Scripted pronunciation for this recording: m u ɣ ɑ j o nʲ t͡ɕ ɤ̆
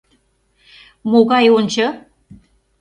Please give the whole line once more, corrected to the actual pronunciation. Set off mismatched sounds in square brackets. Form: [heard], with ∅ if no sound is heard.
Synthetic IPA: m [o] ɣ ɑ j o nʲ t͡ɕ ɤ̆